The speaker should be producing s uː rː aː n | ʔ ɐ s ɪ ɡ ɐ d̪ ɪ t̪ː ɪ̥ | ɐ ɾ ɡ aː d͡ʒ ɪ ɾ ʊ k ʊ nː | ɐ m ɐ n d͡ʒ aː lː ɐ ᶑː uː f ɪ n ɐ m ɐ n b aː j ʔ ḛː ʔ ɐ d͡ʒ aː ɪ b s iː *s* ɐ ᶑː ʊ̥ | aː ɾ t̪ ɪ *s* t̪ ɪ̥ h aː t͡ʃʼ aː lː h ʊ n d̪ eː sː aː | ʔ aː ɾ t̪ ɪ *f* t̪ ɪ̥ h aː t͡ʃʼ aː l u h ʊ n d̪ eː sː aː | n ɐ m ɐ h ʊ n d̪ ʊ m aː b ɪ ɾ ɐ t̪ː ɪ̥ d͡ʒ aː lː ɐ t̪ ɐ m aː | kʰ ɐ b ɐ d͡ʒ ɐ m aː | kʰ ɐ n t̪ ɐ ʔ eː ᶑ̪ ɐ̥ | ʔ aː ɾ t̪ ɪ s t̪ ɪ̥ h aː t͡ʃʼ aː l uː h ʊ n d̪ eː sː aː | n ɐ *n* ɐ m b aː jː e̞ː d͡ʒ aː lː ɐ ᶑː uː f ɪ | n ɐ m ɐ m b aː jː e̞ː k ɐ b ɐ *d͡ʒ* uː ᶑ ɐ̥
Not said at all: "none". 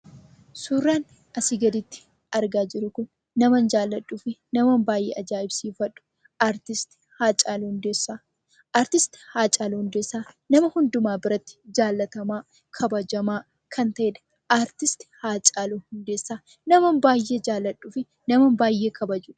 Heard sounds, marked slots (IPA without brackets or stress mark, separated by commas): f, s, s, m, d͡ʒ